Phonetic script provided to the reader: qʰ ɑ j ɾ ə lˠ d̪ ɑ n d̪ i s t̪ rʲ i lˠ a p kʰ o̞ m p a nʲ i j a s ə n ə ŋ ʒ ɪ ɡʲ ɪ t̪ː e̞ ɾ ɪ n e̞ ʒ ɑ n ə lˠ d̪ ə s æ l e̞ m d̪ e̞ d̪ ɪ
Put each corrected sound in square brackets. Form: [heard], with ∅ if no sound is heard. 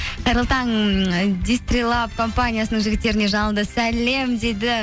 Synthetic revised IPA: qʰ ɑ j ɾ ə lˠ [t̪] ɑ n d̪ i s t̪ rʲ i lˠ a p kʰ o̞ m p a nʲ i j a s ə n ə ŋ ʒ ɪ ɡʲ ɪ t̪ː e̞ ɾ ɪ n e̞ ʒ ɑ n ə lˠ d̪ ə s æ l e̞ m d̪ e̞ d̪ ɪ